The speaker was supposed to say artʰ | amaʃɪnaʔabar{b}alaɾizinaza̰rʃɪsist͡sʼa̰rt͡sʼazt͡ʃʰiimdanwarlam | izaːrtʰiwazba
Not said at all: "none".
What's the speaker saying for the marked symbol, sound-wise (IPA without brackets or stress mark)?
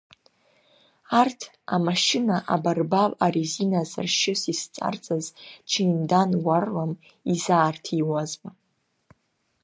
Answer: b